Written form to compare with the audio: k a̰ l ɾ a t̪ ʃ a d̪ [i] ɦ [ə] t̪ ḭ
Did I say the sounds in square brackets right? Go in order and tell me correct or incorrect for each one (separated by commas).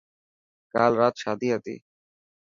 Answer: correct, incorrect